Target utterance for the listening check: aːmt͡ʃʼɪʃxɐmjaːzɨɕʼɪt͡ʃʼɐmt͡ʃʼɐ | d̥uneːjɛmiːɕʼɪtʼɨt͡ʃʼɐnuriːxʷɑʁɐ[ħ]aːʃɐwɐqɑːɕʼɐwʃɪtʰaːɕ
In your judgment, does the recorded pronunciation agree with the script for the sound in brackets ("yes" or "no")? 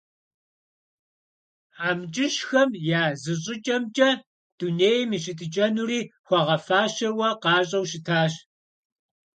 no